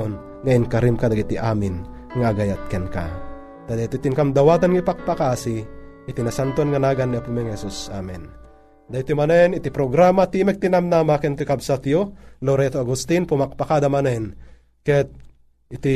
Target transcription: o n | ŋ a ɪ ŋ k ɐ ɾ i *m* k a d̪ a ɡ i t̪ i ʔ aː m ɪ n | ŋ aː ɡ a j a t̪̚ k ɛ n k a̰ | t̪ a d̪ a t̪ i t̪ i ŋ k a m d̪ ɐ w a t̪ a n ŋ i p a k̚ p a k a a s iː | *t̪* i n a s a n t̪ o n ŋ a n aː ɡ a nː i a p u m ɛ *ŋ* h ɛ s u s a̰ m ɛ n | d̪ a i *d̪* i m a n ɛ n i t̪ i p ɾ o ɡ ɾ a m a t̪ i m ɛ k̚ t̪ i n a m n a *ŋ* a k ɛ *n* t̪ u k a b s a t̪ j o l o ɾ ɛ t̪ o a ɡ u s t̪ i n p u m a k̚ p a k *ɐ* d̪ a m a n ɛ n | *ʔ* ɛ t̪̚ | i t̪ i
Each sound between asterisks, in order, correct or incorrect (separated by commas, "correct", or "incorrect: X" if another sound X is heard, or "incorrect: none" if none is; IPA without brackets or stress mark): correct, correct, correct, incorrect: t̪, incorrect: m, correct, incorrect: a, incorrect: k